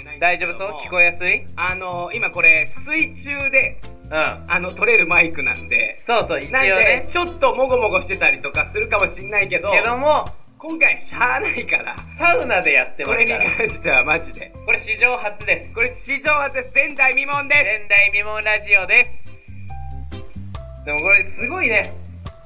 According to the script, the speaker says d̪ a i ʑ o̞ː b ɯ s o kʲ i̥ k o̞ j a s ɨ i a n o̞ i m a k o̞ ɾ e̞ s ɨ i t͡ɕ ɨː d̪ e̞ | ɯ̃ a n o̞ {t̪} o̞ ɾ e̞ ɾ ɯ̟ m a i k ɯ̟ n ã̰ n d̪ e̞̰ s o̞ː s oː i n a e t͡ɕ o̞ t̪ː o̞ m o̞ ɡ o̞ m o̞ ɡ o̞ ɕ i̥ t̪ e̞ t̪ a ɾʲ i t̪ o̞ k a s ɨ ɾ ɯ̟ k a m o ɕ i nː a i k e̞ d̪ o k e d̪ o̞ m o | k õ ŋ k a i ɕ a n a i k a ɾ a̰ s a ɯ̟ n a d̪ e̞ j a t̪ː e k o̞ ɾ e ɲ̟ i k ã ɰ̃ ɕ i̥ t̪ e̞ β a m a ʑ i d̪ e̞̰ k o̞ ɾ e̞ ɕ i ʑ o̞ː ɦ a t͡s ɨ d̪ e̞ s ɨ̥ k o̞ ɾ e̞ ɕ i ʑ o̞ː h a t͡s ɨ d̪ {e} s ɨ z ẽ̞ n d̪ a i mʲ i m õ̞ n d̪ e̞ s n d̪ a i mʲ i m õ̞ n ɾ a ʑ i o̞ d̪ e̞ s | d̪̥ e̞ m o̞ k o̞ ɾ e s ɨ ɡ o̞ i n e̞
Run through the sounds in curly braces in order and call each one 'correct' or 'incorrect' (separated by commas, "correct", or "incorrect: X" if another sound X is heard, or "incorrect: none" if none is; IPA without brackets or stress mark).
correct, correct